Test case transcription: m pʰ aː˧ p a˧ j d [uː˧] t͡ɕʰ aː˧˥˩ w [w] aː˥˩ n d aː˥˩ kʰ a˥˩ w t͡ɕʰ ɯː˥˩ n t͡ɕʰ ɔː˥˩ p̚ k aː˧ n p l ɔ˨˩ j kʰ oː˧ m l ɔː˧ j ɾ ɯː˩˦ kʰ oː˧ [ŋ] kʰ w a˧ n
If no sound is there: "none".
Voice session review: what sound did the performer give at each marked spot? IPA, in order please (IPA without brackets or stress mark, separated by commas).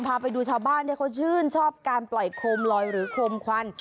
uː˧, b, m